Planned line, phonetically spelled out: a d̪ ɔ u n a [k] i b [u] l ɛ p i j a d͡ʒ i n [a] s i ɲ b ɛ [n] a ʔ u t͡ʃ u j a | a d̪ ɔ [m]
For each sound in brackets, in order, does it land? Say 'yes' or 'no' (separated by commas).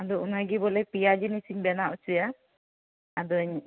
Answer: no, no, no, yes, no